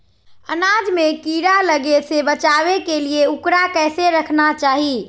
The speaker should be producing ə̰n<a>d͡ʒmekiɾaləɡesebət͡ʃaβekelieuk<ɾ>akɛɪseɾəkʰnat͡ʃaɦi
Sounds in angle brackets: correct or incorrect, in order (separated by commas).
correct, correct